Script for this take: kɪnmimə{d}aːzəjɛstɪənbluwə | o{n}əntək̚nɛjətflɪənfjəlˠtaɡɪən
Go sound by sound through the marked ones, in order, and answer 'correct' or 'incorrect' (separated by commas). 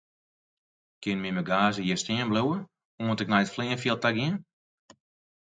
incorrect, incorrect